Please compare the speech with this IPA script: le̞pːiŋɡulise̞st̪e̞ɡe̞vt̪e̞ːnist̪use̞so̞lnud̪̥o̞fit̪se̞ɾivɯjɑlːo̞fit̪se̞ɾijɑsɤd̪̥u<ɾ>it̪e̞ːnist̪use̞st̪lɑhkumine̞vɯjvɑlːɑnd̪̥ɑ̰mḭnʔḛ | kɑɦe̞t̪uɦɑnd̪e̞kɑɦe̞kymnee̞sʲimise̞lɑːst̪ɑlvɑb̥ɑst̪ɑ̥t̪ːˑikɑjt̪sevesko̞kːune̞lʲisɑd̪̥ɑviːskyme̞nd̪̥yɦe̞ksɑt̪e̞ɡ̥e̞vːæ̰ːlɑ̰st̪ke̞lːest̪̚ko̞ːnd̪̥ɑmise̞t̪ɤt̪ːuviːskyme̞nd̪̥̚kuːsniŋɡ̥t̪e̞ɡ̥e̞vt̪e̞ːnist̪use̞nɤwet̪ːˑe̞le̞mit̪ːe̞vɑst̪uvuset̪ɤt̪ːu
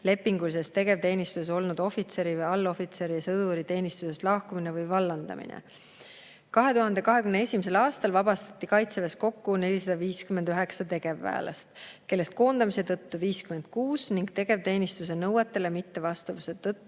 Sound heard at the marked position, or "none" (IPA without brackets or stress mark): ɾ